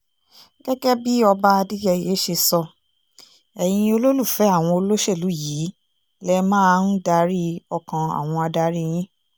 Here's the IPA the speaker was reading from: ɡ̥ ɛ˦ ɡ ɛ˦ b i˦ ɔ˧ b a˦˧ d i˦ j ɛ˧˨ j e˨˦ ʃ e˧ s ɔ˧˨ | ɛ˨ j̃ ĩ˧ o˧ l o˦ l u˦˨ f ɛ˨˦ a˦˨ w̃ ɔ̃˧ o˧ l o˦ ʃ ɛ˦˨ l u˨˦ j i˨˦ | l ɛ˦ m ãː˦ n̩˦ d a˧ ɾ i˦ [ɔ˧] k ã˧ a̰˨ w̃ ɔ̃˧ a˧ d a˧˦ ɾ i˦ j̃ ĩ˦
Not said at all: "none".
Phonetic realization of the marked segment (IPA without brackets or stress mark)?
ɔ˧